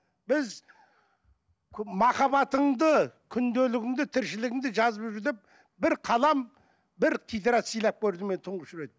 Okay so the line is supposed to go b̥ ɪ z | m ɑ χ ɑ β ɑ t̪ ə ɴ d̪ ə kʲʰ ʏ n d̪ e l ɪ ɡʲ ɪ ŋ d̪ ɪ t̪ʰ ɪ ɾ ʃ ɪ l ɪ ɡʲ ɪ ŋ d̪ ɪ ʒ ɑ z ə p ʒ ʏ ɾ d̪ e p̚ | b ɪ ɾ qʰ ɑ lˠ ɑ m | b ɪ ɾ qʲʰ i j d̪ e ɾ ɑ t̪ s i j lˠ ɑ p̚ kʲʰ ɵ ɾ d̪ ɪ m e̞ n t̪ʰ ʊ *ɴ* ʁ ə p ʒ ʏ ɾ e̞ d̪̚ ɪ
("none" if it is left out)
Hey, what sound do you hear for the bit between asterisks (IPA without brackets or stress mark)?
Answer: ɴ